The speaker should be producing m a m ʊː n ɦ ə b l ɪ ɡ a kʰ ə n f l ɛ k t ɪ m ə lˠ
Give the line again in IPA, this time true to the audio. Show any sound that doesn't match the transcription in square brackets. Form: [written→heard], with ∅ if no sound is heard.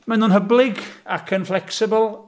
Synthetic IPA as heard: m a [m→n] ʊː n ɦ ə b l ɪ ɡ a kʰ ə n f l ɛ k [t→s] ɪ [m→b] ə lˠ

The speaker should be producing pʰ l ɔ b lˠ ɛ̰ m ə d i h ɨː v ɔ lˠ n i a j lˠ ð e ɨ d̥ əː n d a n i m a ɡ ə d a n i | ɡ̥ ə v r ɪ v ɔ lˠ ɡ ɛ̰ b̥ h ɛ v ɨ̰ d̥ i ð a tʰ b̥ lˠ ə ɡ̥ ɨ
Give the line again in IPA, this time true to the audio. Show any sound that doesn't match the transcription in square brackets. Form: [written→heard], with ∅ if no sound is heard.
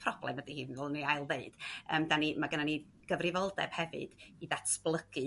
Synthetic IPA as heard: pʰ [l→r] ɔ b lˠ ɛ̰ m ə d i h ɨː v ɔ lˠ n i a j lˠ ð e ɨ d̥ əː [n→m] d a n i m a ɡ ə [d→n] a n i | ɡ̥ ə v r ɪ v ɔ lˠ [ɡ→d] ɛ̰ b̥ h ɛ v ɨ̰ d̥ i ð a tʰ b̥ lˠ ə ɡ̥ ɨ

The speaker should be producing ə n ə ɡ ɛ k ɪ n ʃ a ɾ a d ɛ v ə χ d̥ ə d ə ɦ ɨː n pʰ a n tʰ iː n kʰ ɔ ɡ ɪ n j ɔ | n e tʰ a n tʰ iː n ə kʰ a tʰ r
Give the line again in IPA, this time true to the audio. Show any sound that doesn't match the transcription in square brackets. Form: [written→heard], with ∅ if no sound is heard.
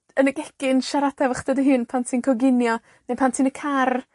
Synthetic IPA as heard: ə n ə ɡ ɛ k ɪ n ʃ a ɾ a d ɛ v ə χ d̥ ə d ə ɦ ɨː n pʰ a n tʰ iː n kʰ ɔ ɡ ɪ n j ɔ | n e [tʰ→pʰ] a n tʰ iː n ə kʰ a [tʰ→∅] r

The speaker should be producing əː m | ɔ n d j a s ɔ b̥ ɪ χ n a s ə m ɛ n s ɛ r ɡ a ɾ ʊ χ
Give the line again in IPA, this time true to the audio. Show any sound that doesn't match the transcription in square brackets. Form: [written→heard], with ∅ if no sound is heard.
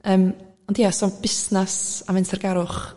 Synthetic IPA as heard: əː m | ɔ n d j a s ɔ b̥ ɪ [χ→s] n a s [ə→a] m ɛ n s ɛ r ɡ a ɾ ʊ χ

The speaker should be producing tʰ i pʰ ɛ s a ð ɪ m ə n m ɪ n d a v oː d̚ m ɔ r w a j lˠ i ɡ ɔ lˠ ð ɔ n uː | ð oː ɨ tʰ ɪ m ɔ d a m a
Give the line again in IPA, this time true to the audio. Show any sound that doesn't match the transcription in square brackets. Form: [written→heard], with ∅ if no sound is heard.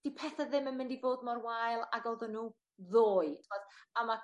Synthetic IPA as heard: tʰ i pʰ ɛ [s→θ] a ð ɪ m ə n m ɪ n d [a→i] v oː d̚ m ɔ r w a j lˠ [i→a] ɡ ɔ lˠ ð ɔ n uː | ð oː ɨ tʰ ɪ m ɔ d a m a

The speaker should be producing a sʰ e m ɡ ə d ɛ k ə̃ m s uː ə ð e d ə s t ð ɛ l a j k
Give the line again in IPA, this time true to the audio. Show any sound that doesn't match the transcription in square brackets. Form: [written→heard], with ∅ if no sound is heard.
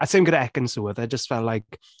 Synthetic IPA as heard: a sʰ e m ɡ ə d ɛ k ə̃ [m→n] s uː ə ð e [d→d͡ʒ] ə s t [ð→v] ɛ l a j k

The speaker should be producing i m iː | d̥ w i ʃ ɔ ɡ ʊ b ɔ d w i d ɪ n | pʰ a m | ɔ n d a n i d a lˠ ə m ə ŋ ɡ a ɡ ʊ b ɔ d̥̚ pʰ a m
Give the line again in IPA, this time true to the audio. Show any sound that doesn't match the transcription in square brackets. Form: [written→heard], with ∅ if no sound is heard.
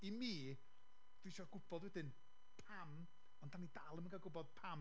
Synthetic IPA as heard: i m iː | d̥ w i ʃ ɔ ɡ ʊ b ɔ d w [i→ɛ] d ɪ n | pʰ a m | ɔ n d a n i d a lˠ ə m ə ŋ ɡ a ɡ ʊ b ɔ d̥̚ pʰ a m

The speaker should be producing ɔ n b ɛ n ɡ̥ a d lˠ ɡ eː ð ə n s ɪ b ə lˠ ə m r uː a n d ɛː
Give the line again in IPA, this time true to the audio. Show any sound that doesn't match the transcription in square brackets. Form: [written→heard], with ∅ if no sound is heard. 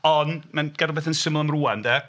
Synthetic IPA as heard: ɔ n [b→m] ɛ n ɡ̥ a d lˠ [ɡ→b] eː [ð→θ] ə n s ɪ [b→m] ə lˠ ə m r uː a n d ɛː

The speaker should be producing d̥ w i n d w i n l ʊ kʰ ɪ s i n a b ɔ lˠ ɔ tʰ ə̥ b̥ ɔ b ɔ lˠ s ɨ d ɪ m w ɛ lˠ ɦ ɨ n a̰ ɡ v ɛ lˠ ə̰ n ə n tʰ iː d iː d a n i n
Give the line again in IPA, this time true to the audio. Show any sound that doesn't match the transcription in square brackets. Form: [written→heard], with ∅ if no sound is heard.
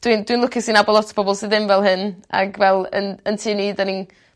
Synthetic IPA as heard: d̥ w i n d w i n l ʊ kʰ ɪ s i n a b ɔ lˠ ɔ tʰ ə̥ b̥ ɔ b ɔ lˠ s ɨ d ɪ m [w→v] ɛ lˠ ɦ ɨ n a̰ ɡ v ɛ lˠ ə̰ n ə n tʰ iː [d→n] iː d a n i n

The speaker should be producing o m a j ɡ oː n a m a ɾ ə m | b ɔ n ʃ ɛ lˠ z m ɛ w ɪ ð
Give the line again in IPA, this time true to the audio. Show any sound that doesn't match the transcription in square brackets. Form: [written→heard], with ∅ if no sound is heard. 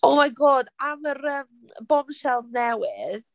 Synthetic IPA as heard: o m a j ɡ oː [n→d] a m [a→ə] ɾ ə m | b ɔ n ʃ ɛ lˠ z [m→n] ɛ w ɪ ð

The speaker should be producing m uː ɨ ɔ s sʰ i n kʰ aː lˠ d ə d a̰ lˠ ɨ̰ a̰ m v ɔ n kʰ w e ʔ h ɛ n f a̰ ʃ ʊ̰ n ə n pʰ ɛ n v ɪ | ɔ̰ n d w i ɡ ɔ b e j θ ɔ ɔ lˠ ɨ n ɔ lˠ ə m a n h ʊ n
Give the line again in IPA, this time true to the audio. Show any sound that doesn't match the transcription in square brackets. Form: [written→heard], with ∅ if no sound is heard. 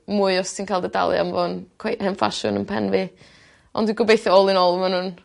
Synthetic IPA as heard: m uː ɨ ɔ s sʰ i n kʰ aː lˠ d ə d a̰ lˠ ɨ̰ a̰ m v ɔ n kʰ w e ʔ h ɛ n f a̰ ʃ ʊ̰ n ə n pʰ ɛ n v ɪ | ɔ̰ n d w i ɡ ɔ b e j θ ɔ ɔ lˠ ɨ n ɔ lˠ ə m a n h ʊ n

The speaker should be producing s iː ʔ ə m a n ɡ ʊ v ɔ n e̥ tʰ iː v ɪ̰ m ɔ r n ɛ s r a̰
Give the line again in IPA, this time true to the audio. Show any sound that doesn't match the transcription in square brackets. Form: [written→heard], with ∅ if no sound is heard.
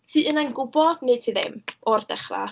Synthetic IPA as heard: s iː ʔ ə [m→n] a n ɡ ʊ [v→b] ɔ n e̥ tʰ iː [v→ð] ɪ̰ m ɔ r [n→d] ɛ [s→χ] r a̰

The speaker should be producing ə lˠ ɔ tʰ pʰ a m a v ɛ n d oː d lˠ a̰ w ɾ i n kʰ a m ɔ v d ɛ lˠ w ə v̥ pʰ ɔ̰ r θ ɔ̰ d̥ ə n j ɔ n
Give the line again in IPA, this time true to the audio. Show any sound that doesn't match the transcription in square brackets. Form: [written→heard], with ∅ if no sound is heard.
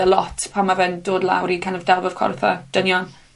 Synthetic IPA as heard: ə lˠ ɔ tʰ pʰ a m a v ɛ n d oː d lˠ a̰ w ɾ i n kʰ a [m→n] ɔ v d ɛ lˠ [w→v] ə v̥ [pʰ→kʰ] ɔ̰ r θ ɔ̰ d̥ ə n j ɔ n

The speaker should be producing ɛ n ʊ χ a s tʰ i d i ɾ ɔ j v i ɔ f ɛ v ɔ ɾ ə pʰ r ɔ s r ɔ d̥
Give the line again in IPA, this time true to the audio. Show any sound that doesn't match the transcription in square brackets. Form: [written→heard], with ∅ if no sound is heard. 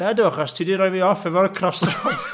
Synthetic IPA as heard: ɛ [n→d] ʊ χ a s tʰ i d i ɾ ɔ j v i ɔ f ɛ v ɔ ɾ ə [pʰ→kʰ] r ɔ s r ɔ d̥

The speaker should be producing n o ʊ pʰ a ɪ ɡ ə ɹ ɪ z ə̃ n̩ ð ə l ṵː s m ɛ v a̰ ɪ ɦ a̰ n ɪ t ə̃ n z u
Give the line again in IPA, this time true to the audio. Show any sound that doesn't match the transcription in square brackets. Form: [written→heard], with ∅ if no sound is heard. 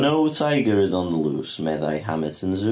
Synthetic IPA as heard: n o ʊ [pʰ→tʰ] a ɪ ɡ ə ɹ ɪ z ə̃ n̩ ð ə l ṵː s m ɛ [v→ð] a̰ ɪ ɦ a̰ [n→m] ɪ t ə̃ n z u

